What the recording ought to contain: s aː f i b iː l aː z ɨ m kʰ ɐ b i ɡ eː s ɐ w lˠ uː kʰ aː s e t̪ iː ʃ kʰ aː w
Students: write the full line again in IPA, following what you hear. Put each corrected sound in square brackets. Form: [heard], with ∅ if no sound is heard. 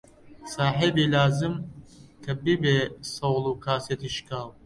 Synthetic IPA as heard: s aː [ħ] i b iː l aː z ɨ m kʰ ɐ b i [b] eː s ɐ w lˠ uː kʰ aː s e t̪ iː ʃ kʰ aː w